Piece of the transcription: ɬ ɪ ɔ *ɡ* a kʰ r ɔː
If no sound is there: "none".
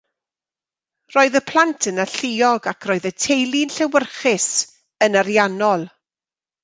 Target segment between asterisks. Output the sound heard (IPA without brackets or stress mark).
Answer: ɡ